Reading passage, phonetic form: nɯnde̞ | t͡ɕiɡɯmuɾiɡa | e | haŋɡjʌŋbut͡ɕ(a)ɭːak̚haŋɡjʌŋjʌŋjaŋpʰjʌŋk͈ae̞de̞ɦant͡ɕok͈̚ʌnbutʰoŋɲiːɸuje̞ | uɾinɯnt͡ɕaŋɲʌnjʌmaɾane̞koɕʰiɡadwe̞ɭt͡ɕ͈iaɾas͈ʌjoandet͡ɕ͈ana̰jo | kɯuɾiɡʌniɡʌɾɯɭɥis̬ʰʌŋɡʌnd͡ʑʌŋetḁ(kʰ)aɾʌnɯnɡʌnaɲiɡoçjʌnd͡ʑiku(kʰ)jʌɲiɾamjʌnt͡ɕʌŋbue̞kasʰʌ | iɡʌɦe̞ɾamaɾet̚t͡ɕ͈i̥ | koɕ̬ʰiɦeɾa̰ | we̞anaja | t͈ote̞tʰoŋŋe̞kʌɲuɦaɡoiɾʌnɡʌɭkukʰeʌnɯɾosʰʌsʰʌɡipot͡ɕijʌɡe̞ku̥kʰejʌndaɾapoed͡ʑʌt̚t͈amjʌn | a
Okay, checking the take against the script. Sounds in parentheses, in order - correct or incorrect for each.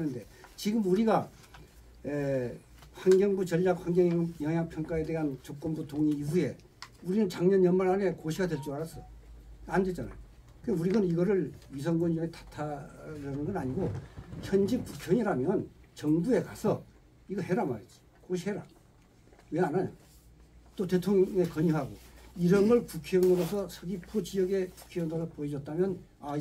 incorrect: ʌ, incorrect: tʰ, correct

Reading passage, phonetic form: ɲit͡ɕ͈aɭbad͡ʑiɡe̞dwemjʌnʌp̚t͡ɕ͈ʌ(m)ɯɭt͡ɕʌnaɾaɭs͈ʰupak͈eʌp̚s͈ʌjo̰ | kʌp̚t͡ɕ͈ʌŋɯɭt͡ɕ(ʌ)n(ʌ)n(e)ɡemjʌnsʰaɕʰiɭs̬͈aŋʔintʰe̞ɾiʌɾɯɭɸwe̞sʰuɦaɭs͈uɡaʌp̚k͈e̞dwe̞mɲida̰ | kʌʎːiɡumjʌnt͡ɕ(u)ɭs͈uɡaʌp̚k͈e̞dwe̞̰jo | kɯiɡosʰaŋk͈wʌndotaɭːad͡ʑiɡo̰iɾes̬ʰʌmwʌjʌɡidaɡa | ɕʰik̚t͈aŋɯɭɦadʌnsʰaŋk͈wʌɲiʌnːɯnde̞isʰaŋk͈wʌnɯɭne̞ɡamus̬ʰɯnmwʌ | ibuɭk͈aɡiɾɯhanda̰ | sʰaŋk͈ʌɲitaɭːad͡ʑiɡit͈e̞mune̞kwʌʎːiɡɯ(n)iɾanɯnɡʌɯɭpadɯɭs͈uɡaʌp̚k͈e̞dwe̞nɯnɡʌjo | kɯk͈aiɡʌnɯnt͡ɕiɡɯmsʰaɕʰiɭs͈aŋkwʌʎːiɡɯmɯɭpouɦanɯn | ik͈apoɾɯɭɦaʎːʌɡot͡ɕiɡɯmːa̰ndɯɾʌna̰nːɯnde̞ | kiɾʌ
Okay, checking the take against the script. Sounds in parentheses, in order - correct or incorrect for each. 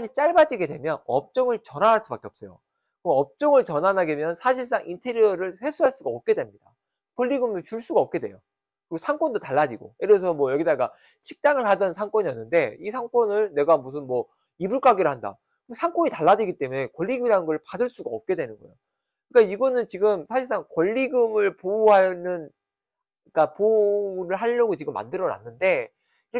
incorrect: ŋ, correct, incorrect: a, incorrect: a, correct, incorrect: m

